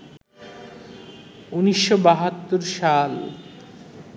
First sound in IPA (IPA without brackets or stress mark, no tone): u